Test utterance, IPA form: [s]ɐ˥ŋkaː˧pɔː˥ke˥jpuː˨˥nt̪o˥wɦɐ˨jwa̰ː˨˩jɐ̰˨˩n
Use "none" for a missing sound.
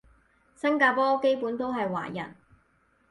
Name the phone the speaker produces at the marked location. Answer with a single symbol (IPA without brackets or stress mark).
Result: s